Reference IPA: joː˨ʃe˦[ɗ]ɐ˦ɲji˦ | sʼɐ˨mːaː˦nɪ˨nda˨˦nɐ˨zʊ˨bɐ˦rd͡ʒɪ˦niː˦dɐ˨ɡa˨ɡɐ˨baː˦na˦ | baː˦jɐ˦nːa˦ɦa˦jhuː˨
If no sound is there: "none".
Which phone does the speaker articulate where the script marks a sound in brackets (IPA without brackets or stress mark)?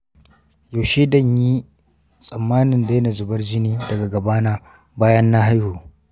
d